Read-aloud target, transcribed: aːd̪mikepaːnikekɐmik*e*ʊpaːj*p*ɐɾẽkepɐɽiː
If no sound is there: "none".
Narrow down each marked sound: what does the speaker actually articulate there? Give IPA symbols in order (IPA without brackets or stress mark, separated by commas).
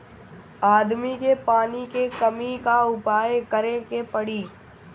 a, k